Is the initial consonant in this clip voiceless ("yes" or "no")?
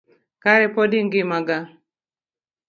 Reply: yes